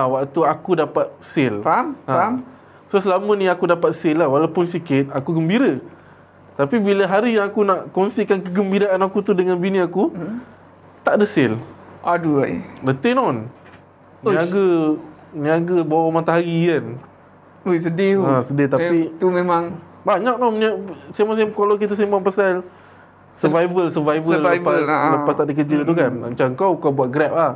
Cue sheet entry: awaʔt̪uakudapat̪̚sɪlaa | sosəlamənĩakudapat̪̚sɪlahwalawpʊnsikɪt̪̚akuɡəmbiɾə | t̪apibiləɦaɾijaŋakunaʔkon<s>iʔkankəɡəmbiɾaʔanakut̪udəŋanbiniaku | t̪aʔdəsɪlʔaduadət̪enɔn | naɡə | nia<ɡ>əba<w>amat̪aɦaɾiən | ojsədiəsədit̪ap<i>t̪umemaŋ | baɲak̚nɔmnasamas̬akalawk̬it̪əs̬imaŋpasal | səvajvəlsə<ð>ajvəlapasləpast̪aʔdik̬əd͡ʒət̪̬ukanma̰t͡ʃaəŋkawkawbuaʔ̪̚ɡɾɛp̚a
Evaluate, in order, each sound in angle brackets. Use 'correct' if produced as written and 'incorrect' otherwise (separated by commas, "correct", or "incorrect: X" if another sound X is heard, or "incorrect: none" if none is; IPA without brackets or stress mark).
correct, correct, correct, correct, incorrect: v